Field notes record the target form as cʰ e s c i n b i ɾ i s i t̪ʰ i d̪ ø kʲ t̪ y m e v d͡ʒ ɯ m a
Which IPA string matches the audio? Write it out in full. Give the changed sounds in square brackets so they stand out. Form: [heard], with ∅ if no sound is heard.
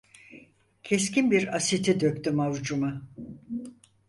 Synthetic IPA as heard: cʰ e s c i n b i ɾ [a] s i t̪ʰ i d̪ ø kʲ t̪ y m [a] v d͡ʒ [u] m a